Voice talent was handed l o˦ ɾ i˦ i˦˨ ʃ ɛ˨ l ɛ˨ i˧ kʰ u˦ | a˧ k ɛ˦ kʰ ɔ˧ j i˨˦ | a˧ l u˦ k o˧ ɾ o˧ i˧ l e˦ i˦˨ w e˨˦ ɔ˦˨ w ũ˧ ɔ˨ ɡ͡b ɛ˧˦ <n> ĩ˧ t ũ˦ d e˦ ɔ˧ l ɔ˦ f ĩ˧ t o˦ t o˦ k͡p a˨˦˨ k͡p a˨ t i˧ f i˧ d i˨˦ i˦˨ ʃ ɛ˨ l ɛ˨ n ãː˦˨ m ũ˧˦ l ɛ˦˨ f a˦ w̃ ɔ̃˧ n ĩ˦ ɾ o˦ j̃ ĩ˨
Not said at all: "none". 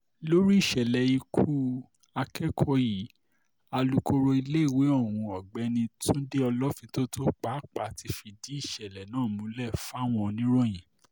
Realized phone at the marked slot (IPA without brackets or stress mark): n